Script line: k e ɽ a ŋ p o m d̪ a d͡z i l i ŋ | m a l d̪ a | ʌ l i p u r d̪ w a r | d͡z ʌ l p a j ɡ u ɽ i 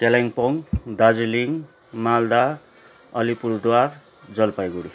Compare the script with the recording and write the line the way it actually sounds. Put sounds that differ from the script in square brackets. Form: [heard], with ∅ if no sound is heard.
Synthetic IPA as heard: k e [l] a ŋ p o [ŋ] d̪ a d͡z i l i ŋ | m a l d̪ a | ʌ l i p u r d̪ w a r | d͡z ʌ l p a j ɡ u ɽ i